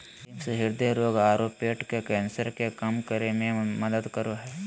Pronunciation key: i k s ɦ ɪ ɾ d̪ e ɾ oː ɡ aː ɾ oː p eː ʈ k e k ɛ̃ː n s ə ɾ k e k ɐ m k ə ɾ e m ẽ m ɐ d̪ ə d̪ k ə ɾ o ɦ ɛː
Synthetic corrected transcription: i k s ɦ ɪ ɾ d̪ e ɾ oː ɡ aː ɾ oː p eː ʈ k e k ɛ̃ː n s ə ɾ k e k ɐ m k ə ɾ e m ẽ m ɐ d̪ ə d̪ k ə ɾ o ɦ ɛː